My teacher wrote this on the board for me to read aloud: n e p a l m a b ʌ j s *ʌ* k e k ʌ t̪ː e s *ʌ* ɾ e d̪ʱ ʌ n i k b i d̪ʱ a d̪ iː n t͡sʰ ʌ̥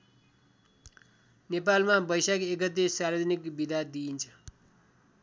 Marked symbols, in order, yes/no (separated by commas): no, no